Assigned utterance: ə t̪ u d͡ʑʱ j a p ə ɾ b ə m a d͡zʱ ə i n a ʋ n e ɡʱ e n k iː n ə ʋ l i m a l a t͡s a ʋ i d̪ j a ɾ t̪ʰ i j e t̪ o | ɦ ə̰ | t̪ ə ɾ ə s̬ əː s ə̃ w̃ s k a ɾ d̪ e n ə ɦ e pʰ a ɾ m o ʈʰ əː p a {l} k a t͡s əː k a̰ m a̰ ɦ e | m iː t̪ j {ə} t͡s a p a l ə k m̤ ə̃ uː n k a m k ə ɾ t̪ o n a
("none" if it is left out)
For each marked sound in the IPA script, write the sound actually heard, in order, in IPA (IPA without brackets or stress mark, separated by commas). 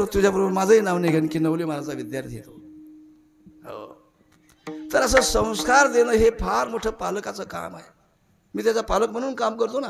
l, a